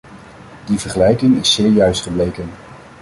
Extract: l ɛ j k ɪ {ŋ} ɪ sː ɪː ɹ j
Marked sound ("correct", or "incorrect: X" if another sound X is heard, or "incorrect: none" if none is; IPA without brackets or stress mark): correct